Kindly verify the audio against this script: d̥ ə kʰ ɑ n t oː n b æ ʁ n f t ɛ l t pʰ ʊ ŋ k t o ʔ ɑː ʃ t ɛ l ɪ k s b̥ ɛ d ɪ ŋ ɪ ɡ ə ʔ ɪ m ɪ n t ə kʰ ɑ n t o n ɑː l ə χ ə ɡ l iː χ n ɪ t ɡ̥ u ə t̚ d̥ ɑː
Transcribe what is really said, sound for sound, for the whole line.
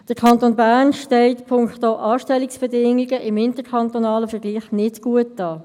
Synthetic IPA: d̥ ə kʰ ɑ n t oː n b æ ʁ n ʃ t ɛ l t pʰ ʊ ŋ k t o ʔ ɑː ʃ t ɛ l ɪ k s b̥ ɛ d ɪ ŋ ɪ ɡ ə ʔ ɪ m ɪ n t ə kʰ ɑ n t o n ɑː l ə f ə ɡ l iː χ n ɪ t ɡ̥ u ə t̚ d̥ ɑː